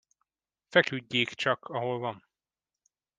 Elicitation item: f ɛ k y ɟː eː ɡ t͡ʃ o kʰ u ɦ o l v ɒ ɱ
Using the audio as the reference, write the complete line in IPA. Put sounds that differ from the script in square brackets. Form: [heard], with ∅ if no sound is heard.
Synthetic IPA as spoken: f ɛ k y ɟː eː [k] t͡ʃ [ɒ] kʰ [ɒ] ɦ o l v ɒ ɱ